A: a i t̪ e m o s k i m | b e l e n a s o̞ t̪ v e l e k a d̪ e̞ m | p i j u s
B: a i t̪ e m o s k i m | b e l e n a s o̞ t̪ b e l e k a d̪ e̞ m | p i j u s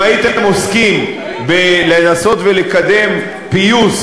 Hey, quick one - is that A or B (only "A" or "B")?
A